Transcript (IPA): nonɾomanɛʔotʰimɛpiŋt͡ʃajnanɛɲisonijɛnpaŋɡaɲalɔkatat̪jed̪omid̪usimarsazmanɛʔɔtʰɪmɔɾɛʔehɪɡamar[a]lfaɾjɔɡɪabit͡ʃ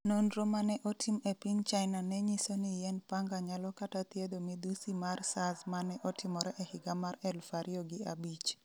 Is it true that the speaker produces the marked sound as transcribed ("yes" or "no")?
no